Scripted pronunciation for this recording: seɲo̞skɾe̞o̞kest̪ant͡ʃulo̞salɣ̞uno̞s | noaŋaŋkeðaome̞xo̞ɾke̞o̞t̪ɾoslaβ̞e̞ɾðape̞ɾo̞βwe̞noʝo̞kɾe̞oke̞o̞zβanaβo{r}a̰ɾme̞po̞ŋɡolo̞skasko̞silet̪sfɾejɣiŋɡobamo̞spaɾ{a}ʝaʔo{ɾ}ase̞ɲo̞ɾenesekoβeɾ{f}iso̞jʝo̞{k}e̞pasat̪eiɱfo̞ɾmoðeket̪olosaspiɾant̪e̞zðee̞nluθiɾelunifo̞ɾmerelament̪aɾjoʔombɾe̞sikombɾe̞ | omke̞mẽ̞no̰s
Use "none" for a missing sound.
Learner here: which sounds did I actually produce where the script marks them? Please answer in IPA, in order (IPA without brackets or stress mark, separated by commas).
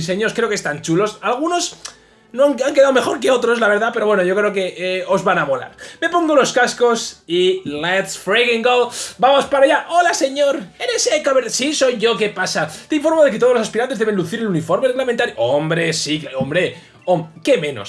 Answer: l, a, l, s, k